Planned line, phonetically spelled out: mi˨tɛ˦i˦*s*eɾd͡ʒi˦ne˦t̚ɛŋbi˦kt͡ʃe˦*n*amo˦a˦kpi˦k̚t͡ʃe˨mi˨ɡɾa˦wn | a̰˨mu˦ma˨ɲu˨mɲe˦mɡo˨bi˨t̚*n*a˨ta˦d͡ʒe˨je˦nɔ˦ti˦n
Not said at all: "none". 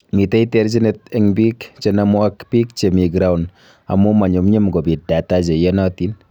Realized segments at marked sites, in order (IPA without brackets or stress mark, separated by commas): t, n, d